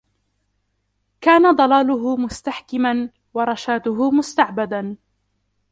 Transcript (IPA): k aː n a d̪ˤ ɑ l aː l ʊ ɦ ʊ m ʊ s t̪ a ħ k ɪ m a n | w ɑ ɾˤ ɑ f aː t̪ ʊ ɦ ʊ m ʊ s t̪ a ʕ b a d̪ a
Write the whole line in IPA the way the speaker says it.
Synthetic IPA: k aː n a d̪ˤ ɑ l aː l ʊ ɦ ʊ m ʊ s t̪ a ħ k ɪ m a n | w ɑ ɾˤ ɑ ʃ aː t̪ ʊ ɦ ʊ m ʊ s t̪ a ʕ b a d̪ a